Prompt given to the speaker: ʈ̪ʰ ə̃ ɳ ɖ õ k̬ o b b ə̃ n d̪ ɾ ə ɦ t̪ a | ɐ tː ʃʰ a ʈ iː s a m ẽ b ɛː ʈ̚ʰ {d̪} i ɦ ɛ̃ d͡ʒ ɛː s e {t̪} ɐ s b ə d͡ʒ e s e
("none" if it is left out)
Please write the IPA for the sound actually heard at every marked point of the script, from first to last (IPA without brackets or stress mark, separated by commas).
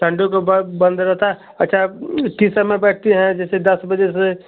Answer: t̪, d̪